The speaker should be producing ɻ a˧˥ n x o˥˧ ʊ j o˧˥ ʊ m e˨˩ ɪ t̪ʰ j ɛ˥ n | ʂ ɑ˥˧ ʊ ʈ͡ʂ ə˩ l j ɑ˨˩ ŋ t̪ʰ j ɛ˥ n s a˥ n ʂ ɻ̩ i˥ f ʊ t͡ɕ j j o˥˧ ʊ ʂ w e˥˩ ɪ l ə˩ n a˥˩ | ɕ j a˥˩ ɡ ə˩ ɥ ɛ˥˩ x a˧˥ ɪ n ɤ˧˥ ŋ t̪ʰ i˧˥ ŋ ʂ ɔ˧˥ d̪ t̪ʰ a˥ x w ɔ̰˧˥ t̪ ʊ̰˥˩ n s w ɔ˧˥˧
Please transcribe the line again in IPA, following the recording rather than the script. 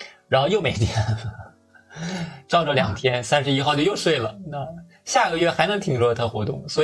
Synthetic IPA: ɻ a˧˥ n x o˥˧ ʊ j o˥˩ ʊ m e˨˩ ɪ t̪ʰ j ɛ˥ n | ʈ͡ʂ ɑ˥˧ ʊ ʈ͡ʂ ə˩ l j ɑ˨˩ ŋ t̪ʰ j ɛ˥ n s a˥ n ʂ ɻ̩ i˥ x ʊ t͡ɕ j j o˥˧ ʊ ʂ w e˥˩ ɪ l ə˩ n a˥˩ | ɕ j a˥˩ ɡ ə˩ ɥ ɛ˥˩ x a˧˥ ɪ n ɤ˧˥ ŋ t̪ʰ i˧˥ ŋ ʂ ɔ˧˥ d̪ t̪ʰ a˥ x w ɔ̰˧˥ t̪ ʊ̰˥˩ ŋ s w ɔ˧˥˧